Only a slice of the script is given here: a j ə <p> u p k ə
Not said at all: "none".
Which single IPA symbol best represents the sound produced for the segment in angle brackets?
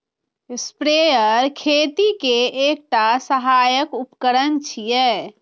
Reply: k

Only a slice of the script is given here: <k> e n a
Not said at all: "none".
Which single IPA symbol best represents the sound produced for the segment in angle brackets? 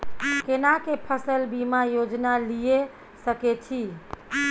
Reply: k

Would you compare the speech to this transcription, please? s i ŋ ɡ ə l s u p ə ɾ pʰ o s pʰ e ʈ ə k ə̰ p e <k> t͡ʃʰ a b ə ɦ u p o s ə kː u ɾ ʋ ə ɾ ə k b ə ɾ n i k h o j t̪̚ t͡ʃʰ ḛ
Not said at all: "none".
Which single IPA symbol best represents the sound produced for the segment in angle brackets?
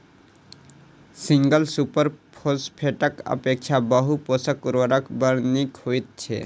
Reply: k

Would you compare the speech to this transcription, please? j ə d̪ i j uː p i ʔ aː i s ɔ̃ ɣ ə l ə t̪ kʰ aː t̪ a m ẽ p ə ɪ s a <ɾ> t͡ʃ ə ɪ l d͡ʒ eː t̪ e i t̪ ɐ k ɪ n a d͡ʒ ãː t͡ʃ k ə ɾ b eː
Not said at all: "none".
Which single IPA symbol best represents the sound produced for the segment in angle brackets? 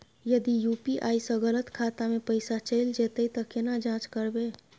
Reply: none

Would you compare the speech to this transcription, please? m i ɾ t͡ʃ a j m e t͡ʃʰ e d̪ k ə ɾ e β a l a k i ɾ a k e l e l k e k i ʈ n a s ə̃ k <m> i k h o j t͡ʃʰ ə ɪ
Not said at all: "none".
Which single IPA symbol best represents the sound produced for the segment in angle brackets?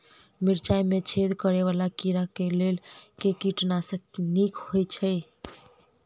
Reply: n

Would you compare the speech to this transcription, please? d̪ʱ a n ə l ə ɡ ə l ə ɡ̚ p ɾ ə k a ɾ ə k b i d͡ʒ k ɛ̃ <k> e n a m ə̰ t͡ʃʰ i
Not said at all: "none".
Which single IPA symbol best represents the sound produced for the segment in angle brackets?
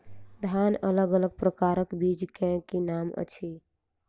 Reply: k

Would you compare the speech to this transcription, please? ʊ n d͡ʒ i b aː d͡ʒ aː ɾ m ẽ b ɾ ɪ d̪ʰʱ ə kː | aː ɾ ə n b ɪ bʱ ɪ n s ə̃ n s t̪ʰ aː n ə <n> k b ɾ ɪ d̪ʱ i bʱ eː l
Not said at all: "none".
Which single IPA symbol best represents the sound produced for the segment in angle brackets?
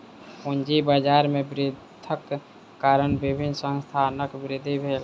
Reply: none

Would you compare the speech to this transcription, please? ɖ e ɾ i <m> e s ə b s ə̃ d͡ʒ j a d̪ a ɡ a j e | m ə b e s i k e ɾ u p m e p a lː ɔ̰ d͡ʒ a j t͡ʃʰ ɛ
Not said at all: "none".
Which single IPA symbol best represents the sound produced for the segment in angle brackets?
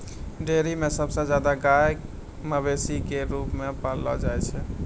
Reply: m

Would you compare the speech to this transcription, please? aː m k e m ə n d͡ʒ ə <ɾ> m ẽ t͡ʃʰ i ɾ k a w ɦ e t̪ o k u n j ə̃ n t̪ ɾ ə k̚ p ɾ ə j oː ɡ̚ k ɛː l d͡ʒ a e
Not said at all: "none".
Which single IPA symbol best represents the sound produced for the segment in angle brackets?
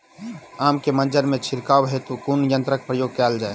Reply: ɾ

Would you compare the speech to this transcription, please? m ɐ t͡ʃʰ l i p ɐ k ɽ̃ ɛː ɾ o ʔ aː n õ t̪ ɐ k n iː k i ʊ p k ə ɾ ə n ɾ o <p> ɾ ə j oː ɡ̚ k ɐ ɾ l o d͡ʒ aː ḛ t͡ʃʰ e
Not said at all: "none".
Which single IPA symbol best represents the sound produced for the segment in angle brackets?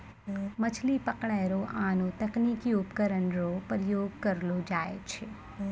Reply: p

